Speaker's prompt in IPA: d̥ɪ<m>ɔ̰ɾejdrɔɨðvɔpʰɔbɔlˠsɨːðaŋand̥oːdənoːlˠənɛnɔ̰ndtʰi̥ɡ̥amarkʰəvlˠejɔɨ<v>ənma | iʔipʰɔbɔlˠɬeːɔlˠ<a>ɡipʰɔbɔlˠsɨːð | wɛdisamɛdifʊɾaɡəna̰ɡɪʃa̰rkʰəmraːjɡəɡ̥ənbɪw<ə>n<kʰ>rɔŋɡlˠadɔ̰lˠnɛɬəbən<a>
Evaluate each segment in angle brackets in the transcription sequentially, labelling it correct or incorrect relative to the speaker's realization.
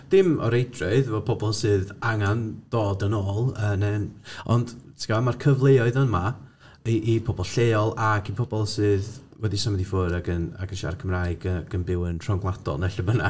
correct, incorrect: ð, correct, correct, incorrect: tʰ, correct

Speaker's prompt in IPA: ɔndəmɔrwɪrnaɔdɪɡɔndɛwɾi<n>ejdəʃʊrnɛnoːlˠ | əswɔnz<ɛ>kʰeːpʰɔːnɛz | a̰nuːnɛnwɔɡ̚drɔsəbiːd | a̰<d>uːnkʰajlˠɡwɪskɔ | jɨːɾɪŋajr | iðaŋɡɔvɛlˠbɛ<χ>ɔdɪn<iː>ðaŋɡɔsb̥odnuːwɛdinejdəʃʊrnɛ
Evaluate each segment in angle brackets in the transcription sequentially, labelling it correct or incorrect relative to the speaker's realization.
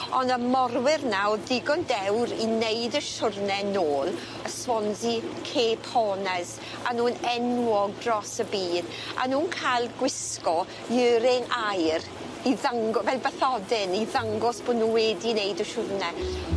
correct, incorrect: i, incorrect: n, incorrect: θ, incorrect: i

